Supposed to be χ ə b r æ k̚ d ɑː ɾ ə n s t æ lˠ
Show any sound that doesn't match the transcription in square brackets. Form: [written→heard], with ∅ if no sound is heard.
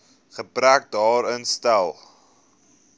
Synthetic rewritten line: χ ə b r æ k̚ d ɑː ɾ ə n s t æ lˠ